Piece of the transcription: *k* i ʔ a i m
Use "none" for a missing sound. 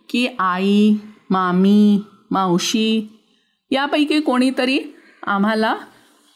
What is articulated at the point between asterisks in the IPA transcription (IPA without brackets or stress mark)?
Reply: k